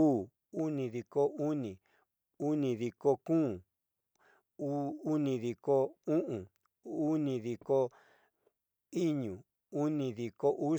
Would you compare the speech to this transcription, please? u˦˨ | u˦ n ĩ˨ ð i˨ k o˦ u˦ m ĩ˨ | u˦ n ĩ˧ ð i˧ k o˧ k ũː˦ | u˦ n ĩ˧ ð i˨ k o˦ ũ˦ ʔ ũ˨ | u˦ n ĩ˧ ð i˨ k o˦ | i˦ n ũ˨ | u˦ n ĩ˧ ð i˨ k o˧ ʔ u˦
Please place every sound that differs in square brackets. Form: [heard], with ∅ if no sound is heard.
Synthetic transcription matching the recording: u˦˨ | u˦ n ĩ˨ ð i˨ k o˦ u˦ [n] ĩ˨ | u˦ n ĩ˧ ð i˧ k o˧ k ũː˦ | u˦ n ĩ˧ ð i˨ k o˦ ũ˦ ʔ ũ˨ | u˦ n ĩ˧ ð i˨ k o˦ | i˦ [ɲ] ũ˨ | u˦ n ĩ˧ ð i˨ k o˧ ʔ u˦